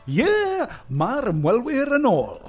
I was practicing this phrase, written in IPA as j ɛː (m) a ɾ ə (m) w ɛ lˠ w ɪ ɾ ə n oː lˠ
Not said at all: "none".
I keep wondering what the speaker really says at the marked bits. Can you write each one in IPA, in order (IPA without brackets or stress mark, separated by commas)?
m, m